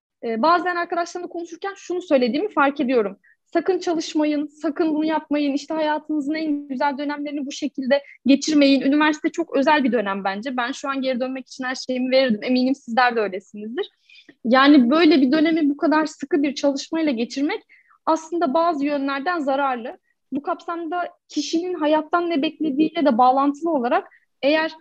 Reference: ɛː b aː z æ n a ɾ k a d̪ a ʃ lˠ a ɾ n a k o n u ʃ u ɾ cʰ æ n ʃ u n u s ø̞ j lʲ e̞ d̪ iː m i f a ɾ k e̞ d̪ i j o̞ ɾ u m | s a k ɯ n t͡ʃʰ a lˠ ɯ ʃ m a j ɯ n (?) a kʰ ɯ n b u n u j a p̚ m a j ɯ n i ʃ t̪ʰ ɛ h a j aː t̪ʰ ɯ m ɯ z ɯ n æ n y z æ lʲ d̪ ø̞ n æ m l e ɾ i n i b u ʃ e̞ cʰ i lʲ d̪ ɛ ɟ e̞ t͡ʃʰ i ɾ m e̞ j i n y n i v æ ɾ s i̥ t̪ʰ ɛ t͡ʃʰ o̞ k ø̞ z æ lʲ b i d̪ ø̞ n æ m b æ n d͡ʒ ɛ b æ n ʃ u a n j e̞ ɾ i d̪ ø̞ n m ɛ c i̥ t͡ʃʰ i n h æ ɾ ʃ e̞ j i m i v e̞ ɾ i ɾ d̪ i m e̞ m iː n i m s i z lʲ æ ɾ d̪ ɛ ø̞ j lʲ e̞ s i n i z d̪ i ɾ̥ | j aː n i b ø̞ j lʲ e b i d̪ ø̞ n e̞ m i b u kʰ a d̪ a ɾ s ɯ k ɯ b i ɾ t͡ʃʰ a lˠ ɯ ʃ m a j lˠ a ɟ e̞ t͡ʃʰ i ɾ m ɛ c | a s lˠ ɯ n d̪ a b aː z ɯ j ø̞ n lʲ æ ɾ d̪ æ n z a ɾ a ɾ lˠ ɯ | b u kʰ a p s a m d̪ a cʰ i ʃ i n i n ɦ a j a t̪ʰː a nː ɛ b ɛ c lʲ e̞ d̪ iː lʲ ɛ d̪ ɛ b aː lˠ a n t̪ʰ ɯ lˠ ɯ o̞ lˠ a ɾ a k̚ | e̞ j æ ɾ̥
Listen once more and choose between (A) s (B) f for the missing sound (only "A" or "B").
A